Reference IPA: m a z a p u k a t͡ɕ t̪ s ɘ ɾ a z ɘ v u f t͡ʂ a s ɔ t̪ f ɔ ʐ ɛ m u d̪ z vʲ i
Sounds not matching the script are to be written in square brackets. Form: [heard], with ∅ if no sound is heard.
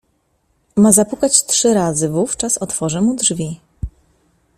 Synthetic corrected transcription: m a z a p u k a t͡ɕ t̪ [ʂ] ɘ ɾ a z ɘ v u f t͡ʂ a s ɔ t̪ f ɔ ʐ ɛ m u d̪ [ʐ] vʲ i